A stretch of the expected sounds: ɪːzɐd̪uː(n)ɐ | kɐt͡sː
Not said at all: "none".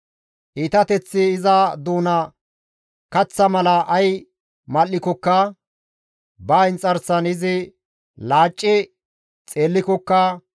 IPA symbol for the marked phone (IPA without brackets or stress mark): n